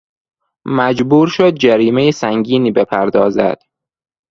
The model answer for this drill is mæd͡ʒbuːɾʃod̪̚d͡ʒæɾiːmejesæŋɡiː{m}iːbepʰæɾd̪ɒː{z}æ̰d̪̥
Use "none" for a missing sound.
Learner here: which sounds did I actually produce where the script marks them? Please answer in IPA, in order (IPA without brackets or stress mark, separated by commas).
n, z